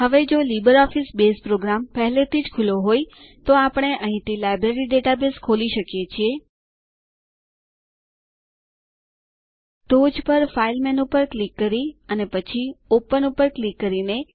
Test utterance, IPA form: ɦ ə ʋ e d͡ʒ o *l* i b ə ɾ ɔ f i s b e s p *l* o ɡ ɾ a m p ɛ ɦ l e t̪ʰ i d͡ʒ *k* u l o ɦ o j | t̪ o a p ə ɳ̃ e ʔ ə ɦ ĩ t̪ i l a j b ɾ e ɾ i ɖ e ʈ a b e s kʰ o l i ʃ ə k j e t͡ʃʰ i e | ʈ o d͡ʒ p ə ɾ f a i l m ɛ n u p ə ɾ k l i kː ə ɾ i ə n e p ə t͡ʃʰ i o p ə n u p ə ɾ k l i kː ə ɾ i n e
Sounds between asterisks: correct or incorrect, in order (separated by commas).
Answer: correct, incorrect, incorrect